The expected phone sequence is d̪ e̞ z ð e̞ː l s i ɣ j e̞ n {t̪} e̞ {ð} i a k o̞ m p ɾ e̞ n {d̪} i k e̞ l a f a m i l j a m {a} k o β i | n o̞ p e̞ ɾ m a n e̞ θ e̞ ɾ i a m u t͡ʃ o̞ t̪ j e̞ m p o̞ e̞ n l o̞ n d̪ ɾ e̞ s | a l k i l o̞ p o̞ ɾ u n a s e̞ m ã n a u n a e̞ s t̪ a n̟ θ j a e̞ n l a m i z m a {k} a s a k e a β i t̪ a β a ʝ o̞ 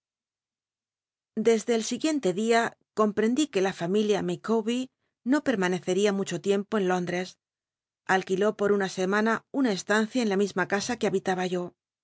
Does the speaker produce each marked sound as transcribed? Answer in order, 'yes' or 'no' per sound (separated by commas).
yes, yes, yes, no, yes